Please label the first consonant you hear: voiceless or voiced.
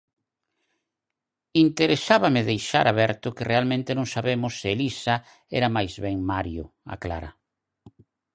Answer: voiced